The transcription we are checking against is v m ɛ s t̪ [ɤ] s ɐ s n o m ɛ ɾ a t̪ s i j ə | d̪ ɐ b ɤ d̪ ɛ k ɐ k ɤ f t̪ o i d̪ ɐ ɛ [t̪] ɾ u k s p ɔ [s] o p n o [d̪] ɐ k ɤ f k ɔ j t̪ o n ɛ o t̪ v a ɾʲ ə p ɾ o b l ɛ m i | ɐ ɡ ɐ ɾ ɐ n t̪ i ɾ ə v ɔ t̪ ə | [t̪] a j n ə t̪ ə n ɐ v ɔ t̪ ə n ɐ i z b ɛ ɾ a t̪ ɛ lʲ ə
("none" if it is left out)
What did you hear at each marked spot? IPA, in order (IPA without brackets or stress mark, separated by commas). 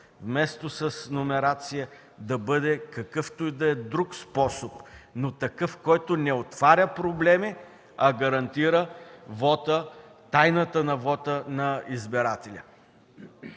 o, d̪, s, t̪, t̪